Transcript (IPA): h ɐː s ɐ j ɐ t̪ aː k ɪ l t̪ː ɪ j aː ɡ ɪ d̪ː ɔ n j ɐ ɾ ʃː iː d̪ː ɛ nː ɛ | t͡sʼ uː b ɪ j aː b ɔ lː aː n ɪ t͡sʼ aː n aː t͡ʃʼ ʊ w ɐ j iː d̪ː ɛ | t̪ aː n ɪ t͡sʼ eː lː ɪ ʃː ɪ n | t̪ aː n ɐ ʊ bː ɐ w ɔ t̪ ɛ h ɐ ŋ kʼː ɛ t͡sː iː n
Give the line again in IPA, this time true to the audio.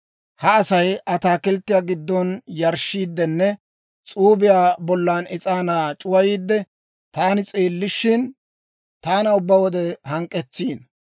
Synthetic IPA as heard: h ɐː s ɐ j ɐ t̪ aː k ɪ l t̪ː ɪ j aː ɡ ɪ d̪ː ɔ n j ɐ ɾ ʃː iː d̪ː ɛ nː ɛ | t͡sʼ uː b ɪ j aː b ɔ lː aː n ɪ t͡sʼ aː n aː t͡ʃʼ ʊ w ɐ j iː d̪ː ɛ | t̪ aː n ɪ t͡sʼ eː lː ɪ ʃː ɪ n | t̪ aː n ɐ ʊ bː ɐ w ɔ d̪ ɛ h ɐ ŋ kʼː ɛ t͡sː iː n